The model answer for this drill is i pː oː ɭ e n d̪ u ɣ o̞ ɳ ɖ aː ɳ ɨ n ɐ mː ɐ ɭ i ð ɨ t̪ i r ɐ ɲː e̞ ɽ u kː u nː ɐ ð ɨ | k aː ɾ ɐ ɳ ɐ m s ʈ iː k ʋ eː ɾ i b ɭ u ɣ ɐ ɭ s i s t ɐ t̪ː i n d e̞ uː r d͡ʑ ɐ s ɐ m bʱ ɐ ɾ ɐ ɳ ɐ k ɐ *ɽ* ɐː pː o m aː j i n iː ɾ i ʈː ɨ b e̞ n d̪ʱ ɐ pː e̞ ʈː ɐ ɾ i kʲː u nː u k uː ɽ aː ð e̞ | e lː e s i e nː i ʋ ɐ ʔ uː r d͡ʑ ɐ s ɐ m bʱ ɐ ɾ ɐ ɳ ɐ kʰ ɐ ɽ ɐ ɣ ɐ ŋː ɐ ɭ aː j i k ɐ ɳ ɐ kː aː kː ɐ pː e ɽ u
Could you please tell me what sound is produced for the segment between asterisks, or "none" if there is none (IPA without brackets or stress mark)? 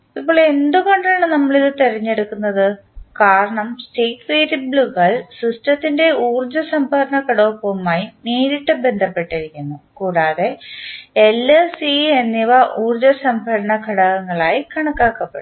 ɽ